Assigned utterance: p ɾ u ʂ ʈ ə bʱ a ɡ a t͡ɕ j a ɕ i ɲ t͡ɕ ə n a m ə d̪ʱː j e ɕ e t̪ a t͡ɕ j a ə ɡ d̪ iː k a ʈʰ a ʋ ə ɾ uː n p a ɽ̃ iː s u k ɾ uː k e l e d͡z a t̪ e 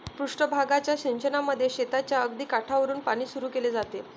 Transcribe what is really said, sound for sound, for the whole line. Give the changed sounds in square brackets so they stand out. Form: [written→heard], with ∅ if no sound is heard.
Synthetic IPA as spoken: p ɾ u ʂ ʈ ə bʱ a ɡ a t͡ɕ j a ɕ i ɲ t͡ɕ ə n a m ə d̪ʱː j e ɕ e t̪ a t͡ɕ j a ə ɡ d̪ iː k a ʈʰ a ʋ ə ɾ uː n p a ɽ̃ iː s u [k→∅] ɾ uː k e l e d͡z a t̪ e